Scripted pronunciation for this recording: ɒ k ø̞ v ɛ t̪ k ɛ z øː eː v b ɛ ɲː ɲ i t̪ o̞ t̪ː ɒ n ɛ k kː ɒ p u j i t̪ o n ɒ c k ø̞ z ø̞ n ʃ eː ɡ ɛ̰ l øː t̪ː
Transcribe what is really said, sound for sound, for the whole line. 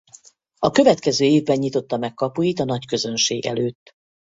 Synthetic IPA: ɒ k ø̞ v ɛ t̪ k ɛ z øː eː v b ɛ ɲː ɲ i t̪ o̞ t̪ː ɒ m ɛ k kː ɒ p u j i t̪ ɒ n ɒ c k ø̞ z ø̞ n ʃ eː ɡ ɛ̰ l øː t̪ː